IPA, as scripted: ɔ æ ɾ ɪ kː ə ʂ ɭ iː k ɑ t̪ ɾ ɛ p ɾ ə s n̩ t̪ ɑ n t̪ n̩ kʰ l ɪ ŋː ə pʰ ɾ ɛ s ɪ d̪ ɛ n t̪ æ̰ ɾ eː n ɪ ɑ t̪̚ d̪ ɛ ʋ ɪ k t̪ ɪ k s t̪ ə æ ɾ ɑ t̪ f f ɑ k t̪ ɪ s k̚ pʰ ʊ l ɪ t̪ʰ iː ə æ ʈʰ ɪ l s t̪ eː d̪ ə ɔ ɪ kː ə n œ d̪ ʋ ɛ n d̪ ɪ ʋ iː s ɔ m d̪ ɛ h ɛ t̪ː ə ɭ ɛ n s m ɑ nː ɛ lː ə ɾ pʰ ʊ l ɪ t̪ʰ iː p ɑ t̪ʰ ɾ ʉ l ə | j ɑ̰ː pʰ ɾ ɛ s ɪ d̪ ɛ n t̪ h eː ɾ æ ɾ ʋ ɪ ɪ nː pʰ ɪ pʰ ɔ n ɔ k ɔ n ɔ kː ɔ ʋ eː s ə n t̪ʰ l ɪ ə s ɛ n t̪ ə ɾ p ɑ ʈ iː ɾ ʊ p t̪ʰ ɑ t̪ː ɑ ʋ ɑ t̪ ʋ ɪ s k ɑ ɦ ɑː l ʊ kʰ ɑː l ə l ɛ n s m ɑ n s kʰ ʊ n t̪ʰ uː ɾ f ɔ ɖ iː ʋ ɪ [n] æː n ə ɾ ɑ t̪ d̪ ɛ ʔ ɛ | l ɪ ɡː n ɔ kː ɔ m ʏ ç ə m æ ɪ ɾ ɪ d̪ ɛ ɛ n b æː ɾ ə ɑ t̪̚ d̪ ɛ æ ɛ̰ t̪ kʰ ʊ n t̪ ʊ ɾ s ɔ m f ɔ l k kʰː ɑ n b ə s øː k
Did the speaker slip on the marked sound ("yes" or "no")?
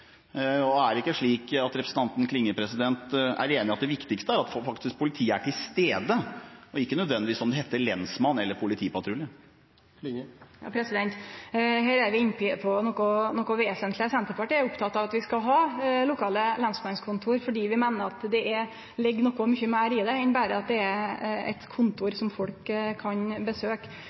yes